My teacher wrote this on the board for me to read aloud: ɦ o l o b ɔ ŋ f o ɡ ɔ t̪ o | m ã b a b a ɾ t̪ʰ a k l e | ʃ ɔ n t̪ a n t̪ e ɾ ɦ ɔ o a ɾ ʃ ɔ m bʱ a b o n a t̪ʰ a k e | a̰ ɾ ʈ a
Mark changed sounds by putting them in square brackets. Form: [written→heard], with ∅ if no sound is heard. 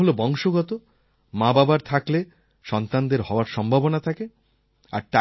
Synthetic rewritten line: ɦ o l o b ɔ ŋ [f→ʃ] o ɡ ɔ t̪ o | m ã b a b a ɾ t̪ʰ a k l e | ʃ ɔ n t̪ a n [t̪→d̪] e ɾ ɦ ɔ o a ɾ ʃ ɔ m bʱ a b o n a t̪ʰ a k e | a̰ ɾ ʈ a